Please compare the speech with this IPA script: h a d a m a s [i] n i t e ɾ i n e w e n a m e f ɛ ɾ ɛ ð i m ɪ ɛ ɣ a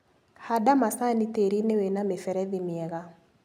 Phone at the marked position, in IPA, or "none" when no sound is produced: a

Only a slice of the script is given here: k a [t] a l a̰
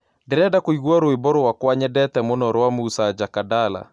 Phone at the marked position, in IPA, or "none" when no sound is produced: d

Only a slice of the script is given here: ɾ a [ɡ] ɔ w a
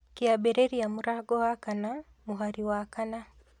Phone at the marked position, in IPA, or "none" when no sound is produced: ɡ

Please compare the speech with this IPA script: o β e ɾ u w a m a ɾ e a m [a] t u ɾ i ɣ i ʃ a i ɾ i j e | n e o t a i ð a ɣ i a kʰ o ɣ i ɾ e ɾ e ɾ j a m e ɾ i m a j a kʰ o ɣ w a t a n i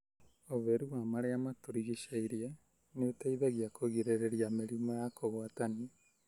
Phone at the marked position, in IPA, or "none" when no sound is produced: a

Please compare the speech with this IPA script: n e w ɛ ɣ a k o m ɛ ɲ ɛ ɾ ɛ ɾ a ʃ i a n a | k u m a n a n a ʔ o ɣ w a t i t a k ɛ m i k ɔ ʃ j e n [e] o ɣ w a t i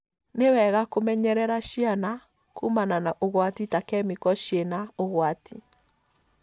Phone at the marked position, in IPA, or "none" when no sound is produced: a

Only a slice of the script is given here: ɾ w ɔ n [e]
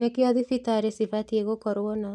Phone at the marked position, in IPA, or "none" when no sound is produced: a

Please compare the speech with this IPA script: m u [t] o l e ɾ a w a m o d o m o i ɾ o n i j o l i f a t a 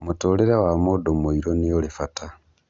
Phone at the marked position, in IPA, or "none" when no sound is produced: t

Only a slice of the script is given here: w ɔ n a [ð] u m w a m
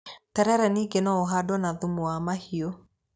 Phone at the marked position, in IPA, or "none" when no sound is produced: ð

